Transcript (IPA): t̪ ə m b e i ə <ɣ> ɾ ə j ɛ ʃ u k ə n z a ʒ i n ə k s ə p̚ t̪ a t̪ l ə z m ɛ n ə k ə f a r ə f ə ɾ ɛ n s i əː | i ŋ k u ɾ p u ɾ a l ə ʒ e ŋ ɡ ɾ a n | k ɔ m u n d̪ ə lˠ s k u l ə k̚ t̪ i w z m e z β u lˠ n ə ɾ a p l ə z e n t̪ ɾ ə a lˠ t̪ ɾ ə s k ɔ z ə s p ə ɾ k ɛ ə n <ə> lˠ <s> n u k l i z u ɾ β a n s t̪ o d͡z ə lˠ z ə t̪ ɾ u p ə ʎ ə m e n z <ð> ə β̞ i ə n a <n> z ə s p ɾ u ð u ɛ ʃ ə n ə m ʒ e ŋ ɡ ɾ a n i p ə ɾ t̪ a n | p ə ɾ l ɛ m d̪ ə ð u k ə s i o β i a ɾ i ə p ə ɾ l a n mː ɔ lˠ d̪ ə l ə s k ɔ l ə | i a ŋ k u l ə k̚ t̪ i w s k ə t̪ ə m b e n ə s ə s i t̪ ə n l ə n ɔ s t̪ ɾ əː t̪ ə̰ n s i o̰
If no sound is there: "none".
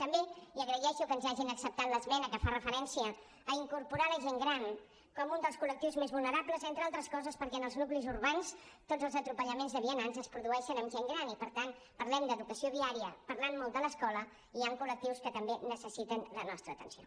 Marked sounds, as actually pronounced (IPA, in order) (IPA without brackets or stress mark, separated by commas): ɣ, ə, z, ð, n